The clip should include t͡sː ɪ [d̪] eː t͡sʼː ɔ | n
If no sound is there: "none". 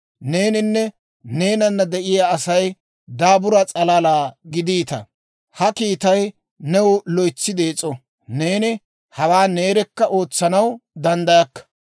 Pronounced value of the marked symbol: d̪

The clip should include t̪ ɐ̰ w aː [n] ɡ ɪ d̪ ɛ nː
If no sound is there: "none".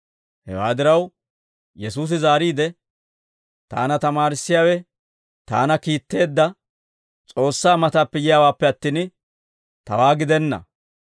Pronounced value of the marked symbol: none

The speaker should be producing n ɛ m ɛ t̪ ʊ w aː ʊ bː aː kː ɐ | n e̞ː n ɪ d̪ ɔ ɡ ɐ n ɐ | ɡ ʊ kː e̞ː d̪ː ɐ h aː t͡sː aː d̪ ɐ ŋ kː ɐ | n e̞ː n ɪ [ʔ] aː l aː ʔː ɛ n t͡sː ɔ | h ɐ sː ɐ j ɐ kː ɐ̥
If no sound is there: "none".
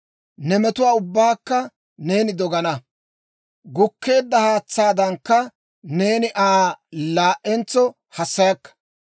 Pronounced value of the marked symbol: ʔ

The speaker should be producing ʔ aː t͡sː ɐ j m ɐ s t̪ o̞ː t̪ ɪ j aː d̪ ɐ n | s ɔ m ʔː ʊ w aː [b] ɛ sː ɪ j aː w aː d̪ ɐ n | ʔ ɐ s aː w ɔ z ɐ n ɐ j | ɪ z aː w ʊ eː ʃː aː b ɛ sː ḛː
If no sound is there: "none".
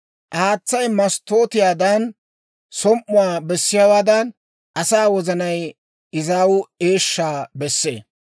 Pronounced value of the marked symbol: b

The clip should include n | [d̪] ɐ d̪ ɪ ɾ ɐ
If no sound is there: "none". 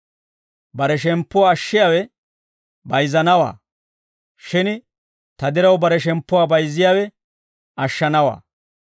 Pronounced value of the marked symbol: t̪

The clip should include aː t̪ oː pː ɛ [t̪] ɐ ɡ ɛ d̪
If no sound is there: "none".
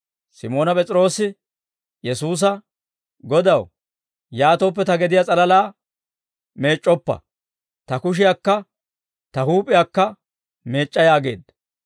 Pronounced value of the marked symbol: t̪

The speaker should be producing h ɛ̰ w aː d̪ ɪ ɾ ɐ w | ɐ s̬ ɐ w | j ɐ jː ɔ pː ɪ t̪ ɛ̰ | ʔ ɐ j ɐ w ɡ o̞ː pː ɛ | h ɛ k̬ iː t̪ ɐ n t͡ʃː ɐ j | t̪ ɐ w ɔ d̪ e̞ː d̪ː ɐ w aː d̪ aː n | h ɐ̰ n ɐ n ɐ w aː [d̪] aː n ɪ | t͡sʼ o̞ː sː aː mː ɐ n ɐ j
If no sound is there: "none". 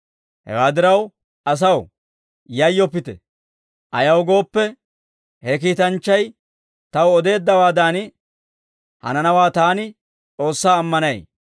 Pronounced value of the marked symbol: t̪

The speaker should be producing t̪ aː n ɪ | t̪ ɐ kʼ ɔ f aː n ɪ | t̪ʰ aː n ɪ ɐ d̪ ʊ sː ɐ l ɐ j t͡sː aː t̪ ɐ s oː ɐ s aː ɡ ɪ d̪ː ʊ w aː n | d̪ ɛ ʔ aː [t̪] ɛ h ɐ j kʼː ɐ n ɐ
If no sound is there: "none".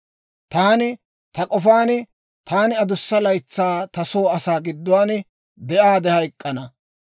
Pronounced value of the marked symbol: d̪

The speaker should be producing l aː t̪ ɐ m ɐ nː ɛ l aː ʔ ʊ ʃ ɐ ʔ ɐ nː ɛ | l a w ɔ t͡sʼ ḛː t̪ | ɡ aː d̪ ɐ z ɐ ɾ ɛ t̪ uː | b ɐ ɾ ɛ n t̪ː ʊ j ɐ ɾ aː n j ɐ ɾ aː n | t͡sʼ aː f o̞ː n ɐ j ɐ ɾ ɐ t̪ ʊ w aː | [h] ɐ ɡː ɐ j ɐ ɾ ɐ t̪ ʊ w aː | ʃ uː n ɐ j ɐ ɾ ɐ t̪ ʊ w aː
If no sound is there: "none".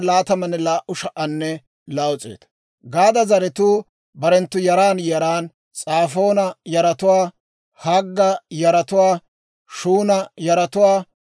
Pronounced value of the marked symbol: h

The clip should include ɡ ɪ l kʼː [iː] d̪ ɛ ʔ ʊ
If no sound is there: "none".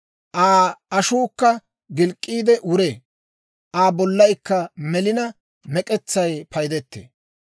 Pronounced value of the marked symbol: iː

